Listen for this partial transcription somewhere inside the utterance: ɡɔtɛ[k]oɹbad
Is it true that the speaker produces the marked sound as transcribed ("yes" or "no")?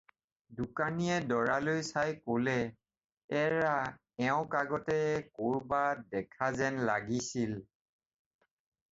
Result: yes